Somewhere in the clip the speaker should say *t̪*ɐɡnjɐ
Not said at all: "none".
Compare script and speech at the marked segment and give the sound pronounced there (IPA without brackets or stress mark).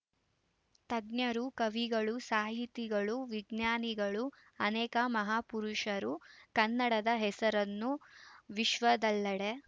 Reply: t̪